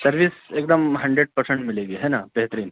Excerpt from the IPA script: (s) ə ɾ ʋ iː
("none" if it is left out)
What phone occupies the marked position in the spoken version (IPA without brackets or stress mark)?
s